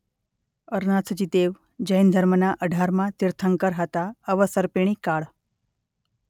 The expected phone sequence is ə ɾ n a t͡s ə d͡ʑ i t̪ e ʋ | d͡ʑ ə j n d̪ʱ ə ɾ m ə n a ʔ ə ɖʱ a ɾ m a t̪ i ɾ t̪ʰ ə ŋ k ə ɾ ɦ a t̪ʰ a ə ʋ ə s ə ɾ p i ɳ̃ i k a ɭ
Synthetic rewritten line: ə ɾ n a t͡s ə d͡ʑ i t̪ e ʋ | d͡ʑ ə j n d̪ʱ ə ɾ m ə n a ʔ ə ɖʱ a ɾ m a t̪ i ɾ t̪ʰ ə ŋ k ə ɾ ɦ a t̪ a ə ʋ ə s ə ɾ p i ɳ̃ i k a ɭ